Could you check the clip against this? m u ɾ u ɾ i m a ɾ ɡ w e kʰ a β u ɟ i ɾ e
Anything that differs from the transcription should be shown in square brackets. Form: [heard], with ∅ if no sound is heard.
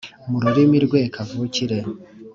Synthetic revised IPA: m u ɾ u ɾ i m [i] ɾ ɡ w e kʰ a [v] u [c] i ɾ e